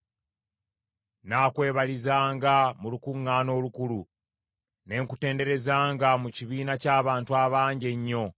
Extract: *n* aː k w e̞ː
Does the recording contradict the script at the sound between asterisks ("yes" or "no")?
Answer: no